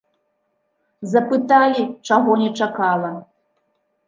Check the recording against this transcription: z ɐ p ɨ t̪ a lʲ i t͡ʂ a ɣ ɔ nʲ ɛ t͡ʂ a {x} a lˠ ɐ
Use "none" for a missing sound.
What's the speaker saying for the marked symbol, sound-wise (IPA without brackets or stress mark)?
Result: k